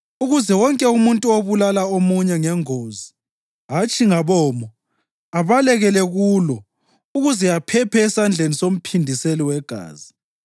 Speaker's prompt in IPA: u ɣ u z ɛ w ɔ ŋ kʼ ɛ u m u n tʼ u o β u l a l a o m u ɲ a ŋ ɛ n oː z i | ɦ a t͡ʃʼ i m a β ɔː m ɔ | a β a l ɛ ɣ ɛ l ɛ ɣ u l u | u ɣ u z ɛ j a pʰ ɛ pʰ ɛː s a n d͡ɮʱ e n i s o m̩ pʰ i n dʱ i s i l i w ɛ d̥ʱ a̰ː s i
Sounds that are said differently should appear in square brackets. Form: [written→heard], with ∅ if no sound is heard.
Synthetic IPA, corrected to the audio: u ɣ u z ɛ w ɔ ŋ kʼ ɛ u m u n tʼ u o β u l a l a o m u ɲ [a→ɛ] ŋ ɛ [n→ŋ] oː z i | ɦ a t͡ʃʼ i [m→ŋ] a β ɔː m ɔ | a β a l ɛ ɣ ɛ l ɛ ɣ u l [u→ɔ] | u ɣ u z ɛ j a pʰ ɛ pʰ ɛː s a n d͡ɮʱ e n i s o m̩ pʰ i n dʱ i s [i→e] l i w ɛ [d̥ʱ→ɡ̥ʱ] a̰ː [s→z] i